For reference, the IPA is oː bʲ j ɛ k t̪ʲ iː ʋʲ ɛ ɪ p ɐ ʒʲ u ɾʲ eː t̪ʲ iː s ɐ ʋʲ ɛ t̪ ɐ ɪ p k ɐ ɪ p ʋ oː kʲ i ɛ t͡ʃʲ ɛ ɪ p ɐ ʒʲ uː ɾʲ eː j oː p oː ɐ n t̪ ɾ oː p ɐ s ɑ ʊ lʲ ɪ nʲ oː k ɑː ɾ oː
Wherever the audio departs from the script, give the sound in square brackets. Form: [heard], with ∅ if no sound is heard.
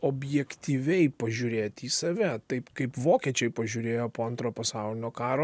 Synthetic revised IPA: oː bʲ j ɛ k t̪ʲ iː ʋʲ ɛ ɪ p ɐ ʒʲ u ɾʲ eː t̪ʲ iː s ɐ ʋʲ ɛ t̪ ɐ ɪ p k ɐ ɪ p ʋ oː kʲ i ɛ t͡ʃʲ ɛ ɪ p ɐ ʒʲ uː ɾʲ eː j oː p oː ɐ n t̪ ɾ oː p ɐ s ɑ ʊ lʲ ɪ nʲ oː k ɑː ɾ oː